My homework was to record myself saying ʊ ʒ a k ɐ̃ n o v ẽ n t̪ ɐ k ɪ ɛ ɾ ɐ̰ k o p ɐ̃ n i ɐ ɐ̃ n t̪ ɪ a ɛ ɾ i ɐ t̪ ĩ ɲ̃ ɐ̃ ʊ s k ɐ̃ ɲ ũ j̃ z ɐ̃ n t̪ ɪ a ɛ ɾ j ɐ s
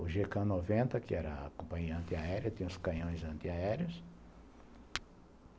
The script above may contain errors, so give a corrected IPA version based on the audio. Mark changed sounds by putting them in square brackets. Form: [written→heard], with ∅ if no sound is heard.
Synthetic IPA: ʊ ʒ [a→e] k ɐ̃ n o v ẽ n t̪ ɐ k ɪ ɛ ɾ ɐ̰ k [o→õ] p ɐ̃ [n→ɲ] i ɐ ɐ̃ n t̪ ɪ a ɛ ɾ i ɐ t̪ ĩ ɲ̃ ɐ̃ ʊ s k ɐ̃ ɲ [ũ→õ] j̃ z ɐ̃ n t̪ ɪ a ɛ ɾ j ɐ s